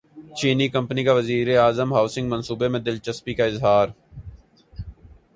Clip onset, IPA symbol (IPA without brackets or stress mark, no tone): t͡ʃ